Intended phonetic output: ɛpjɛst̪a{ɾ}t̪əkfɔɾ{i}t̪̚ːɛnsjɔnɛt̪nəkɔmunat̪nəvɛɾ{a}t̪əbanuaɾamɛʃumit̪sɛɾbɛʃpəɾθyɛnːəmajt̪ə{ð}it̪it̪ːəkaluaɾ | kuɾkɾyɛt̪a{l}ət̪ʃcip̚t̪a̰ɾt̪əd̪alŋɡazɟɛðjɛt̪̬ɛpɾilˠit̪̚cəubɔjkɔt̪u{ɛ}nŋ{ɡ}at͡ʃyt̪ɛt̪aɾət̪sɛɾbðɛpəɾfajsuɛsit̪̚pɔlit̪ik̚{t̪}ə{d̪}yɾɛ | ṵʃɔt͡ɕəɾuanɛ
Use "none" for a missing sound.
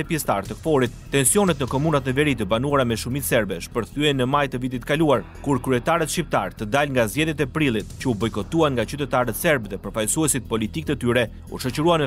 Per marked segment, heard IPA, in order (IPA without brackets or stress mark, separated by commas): ɾ, i, i, v, ɾ, a, ɡ, t̪, t̪